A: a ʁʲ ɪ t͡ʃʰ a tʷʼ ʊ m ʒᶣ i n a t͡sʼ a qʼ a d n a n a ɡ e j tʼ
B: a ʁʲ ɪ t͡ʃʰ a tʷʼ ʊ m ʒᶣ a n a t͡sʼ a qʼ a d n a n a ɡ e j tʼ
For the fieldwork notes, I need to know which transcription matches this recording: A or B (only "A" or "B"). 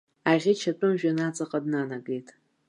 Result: B